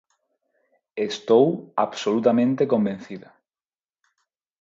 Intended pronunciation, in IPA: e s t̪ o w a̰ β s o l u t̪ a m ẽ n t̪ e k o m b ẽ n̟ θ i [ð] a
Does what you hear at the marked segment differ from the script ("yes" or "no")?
no